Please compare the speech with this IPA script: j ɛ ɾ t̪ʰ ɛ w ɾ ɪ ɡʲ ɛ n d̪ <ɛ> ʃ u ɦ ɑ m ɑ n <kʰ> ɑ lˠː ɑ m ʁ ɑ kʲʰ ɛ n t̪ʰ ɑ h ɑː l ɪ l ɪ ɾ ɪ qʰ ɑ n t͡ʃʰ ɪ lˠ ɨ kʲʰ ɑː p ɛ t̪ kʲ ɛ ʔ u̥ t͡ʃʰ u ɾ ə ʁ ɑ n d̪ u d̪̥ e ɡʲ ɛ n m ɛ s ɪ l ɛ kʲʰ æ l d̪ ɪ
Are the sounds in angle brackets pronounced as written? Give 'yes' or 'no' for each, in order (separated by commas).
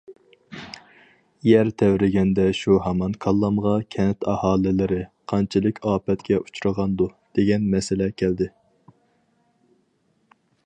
yes, yes